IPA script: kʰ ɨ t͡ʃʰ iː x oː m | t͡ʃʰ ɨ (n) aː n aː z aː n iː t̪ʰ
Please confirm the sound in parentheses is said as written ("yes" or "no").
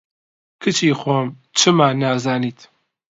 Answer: no